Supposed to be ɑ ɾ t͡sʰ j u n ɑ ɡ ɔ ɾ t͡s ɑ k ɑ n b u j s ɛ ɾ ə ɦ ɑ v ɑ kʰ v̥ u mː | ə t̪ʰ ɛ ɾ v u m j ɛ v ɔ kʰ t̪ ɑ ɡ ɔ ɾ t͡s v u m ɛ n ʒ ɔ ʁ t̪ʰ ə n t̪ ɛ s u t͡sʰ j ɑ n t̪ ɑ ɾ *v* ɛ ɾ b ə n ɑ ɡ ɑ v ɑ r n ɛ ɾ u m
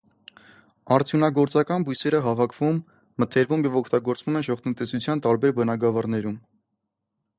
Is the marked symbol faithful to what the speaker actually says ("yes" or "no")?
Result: no